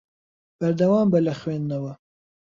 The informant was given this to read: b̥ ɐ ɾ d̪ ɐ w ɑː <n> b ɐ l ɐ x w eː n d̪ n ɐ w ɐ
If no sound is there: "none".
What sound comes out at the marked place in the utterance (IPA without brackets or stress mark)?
m